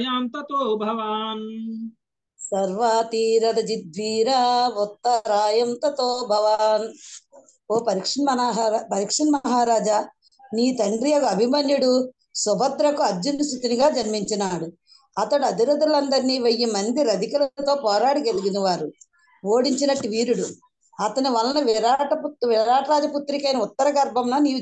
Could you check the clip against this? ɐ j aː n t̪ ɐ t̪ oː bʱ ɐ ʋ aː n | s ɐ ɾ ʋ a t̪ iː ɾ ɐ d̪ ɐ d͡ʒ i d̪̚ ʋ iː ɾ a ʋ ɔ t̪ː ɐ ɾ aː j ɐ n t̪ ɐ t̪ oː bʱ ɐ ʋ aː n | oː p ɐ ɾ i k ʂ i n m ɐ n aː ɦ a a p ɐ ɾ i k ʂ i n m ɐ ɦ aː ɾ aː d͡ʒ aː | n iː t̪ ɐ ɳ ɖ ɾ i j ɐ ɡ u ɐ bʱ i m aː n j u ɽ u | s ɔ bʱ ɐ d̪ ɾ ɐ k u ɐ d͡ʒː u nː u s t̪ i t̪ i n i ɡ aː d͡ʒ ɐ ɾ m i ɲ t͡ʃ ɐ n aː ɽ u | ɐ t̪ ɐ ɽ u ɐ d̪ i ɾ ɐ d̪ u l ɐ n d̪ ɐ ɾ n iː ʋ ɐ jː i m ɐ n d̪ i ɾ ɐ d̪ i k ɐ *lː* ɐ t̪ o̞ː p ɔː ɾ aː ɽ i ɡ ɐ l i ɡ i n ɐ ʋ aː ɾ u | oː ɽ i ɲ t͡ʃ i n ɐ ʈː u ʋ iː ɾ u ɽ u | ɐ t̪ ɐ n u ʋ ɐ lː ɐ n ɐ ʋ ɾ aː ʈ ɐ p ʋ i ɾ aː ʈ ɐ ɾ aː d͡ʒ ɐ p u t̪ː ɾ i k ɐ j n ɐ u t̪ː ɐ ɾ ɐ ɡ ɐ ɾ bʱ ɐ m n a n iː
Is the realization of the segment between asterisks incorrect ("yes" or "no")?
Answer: yes